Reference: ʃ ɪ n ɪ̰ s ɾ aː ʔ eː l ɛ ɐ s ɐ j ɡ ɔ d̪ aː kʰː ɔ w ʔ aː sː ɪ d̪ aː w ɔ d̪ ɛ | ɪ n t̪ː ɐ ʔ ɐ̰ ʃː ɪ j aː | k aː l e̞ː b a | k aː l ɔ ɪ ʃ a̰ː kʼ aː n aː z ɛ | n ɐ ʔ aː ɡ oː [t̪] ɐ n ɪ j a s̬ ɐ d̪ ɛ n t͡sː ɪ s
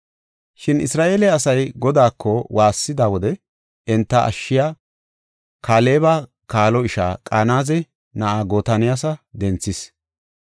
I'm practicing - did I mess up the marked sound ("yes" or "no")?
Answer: no